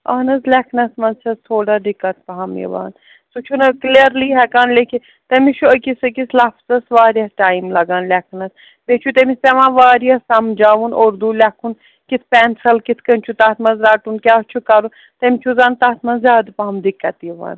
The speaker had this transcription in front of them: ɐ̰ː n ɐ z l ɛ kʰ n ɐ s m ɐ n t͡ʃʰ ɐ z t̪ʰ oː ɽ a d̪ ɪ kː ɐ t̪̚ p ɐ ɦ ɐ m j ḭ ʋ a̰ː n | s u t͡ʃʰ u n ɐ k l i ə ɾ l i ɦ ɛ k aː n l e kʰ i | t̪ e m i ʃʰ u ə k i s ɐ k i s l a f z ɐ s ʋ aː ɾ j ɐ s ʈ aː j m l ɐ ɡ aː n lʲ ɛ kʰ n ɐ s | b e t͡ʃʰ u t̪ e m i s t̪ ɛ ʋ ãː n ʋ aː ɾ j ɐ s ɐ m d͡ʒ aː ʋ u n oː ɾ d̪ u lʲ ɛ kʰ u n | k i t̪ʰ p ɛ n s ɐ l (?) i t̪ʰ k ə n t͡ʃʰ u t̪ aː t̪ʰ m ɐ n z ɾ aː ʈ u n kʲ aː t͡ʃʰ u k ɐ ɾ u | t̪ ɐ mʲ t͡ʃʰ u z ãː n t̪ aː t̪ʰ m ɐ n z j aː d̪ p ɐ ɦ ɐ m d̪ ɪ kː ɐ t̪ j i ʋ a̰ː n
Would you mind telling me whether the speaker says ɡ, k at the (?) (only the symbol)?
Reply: k